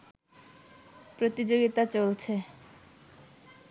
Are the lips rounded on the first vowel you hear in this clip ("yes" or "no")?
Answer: yes